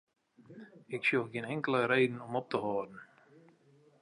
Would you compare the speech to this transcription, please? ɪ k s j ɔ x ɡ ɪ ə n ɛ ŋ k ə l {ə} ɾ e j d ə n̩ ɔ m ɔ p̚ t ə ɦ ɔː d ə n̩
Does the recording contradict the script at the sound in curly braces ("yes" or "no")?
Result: no